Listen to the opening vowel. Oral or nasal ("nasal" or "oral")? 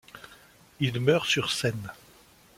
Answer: oral